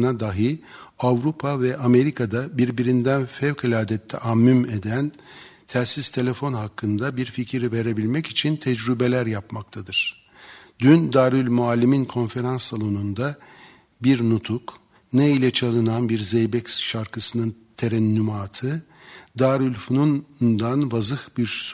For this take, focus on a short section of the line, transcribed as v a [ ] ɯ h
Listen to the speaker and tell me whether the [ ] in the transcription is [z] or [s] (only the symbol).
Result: z